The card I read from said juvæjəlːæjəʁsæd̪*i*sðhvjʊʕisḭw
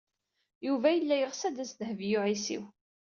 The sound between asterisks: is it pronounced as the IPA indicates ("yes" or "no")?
no